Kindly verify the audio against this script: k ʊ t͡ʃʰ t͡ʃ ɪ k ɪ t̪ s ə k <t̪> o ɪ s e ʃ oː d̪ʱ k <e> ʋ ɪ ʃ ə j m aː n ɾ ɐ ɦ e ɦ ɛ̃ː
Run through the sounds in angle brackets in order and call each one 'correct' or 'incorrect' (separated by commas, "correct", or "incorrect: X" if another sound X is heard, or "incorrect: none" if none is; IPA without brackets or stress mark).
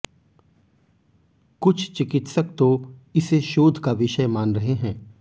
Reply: correct, incorrect: a